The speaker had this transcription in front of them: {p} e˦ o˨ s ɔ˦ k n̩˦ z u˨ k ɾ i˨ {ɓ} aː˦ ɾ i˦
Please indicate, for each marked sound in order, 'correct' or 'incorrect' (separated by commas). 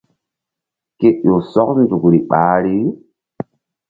incorrect, correct